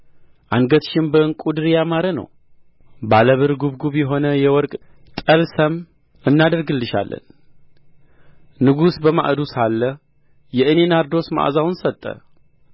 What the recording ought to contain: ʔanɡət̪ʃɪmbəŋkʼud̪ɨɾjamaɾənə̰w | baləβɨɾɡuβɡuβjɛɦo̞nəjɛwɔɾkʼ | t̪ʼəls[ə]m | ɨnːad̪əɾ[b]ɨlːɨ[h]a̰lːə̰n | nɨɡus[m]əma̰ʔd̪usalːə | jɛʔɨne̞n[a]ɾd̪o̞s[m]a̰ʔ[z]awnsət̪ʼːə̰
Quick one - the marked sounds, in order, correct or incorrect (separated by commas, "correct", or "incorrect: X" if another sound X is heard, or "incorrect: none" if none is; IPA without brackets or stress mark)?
correct, incorrect: ɡ, incorrect: ʃ, incorrect: b, correct, correct, correct